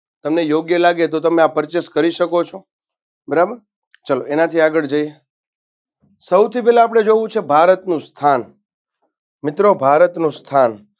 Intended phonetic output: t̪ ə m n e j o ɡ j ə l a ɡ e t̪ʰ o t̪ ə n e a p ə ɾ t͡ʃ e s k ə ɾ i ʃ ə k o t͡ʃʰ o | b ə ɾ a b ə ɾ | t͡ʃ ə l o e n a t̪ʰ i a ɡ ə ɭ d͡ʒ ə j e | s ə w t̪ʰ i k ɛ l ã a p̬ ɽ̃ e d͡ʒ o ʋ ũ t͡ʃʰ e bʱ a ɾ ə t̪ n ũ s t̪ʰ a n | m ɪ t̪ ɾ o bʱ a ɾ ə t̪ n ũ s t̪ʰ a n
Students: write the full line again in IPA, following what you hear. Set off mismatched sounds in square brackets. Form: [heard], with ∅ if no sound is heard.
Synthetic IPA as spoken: t̪ ə m n e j o ɡ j ə l a ɡ e [t̪] o t̪ ə [m] e a p ə ɾ t͡ʃ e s k ə ɾ i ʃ ə k o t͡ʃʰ o | b ə ɾ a b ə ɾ | t͡ʃ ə l o e n a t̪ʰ i a ɡ ə ɭ d͡ʒ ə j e | s ə w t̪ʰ i [p] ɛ l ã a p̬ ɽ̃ e d͡ʒ o ʋ ũ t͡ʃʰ e bʱ a ɾ ə t̪ n ũ s t̪ʰ a n | m ɪ t̪ ɾ o bʱ a ɾ ə t̪ n ũ s t̪ʰ a n